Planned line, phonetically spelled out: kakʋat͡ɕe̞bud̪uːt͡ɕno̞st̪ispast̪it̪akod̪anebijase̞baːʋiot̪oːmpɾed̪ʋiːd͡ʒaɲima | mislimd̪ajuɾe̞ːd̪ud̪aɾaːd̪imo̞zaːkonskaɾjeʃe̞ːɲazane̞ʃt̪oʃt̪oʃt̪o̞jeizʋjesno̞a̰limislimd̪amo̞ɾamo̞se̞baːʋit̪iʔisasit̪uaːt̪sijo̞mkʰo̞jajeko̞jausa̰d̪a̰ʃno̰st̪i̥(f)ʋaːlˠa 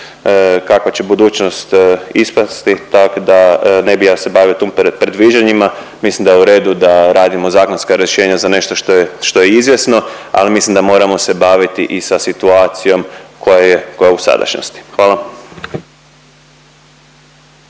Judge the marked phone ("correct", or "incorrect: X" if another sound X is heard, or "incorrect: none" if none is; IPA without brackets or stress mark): incorrect: x